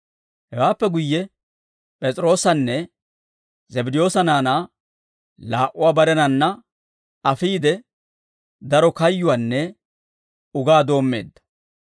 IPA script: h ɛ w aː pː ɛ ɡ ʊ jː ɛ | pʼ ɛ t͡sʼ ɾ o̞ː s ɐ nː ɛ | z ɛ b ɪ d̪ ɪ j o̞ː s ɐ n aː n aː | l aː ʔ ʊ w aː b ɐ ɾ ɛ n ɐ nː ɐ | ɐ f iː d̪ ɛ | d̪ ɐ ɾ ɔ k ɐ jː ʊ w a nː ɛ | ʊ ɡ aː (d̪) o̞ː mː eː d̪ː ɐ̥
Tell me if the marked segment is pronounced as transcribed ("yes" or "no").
yes